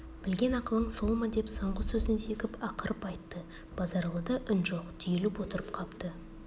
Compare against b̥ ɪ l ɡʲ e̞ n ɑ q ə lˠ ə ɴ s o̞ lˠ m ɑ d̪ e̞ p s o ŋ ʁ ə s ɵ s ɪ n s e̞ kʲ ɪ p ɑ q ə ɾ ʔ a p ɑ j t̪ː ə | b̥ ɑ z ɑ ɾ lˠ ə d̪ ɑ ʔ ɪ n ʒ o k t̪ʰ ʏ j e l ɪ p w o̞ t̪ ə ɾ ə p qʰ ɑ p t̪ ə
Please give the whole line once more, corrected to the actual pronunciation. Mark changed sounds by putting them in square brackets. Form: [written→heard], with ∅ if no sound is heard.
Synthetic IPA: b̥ ɪ l ɡʲ e̞ n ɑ q ə lˠ ə ɴ s o̞ lˠ m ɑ d̪ e̞ p s o [ŋ→ɴ] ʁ ə s ɵ [s→z] ɪ n s e̞ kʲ ɪ p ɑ q ə ɾ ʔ [a→ə] p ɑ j t̪ː ə | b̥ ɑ z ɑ ɾ lˠ ə d̪ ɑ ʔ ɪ n ʒ o [k→q] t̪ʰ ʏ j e l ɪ p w o̞ t̪ ə ɾ ə p qʰ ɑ p t̪ ə